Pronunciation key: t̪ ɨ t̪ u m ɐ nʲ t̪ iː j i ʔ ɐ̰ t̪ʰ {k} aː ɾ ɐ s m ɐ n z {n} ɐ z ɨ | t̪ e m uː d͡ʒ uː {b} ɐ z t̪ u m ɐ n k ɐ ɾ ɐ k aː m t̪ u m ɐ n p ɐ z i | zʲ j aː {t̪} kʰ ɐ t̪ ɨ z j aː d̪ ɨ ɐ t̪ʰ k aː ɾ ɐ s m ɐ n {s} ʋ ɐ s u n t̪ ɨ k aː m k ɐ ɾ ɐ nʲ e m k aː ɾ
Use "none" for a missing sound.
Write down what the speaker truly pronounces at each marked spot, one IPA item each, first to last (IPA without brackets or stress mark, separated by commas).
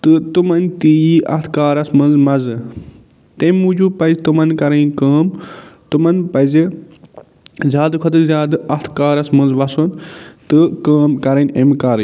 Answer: k, m, p, d̪, z